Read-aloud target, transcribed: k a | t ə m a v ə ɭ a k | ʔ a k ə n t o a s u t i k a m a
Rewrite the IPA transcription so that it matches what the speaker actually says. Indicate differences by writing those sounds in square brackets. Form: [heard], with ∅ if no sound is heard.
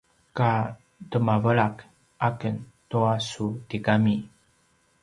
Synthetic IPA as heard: k a | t ə m a v ə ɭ a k | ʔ a k ə n t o a s u t i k a m [i]